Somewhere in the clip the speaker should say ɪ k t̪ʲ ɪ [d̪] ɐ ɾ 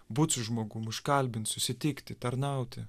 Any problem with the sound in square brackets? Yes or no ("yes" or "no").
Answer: yes